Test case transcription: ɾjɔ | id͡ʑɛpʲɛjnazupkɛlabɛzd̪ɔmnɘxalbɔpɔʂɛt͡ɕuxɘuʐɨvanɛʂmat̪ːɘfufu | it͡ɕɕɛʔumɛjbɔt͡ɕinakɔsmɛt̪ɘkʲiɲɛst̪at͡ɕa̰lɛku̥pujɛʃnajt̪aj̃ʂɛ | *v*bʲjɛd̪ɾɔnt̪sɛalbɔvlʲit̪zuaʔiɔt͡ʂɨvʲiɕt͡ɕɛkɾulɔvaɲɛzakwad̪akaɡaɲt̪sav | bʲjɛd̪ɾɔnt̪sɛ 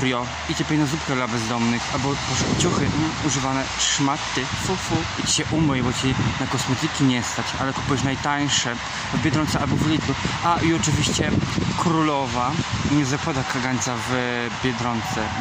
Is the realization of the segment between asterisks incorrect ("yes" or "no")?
no